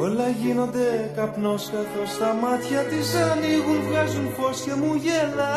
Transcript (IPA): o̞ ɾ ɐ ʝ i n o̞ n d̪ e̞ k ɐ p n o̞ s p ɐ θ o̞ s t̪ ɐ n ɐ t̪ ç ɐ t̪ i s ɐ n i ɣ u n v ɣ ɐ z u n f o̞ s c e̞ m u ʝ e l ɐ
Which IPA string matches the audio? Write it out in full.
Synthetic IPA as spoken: o̞ l ɐ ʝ i n o̞ n d̪ e̞ k ɐ p n o̞ s k ɐ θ o̞ s t̪ ɐ m ɐ t̪ ç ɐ t̪ i s ɐ n i ɣ u n v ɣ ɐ z u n f o̞ s c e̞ m u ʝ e l ɐ